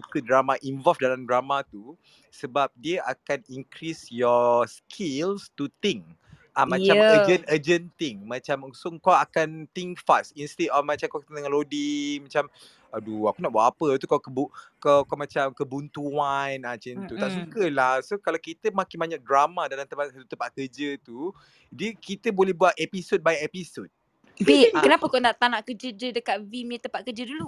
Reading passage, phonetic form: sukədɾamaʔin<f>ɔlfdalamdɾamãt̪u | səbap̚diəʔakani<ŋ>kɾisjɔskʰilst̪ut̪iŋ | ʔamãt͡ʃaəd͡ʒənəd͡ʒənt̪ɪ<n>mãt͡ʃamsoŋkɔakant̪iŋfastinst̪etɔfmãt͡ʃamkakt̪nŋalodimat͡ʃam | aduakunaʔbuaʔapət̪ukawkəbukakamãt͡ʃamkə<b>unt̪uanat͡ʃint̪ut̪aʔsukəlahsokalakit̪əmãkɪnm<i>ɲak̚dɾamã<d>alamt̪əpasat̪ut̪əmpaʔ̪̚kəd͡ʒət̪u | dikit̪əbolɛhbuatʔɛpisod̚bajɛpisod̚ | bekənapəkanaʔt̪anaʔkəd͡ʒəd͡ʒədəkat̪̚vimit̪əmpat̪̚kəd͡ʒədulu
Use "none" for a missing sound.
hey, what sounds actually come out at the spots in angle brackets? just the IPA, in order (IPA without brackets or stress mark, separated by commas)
v, ŋ, ŋ, b, a, d